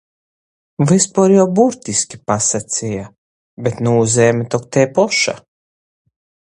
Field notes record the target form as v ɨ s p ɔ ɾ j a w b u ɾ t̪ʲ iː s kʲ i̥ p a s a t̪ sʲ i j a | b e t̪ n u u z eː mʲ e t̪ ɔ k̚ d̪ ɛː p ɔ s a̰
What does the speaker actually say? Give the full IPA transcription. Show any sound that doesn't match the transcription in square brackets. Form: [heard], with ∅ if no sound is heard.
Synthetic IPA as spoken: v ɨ s p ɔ ɾ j a w b u ɾ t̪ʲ [i] s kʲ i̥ p a s a t̪ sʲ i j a | b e t̪ n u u z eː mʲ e t̪ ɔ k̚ [t̪] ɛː p ɔ [ʃ] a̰